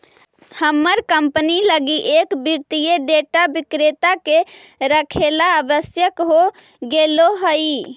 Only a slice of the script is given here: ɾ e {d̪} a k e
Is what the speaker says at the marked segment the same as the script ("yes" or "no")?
no